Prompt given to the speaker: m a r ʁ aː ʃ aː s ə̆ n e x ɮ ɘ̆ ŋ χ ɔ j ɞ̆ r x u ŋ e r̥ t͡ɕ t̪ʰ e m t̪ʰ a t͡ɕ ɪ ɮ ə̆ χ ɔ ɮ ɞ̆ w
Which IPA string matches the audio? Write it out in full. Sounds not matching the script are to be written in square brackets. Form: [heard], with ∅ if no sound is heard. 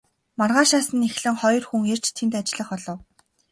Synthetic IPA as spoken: m a r ʁ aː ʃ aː s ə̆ n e x ɮ ɘ̆ ŋ χ ɔ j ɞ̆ r x u ŋ e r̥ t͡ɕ t̪ʰ e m [t̪] a t͡ɕ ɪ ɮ ə̆ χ ɔ ɮ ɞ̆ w